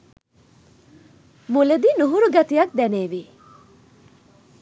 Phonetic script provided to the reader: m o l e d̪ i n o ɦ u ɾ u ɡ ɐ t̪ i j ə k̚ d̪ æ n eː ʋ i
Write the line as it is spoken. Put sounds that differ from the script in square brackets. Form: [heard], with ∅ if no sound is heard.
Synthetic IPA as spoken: m [u] l e d̪ i n [u] ɦ u ɾ u ɡ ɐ t̪ i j [ɐ] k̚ d̪ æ n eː ʋ i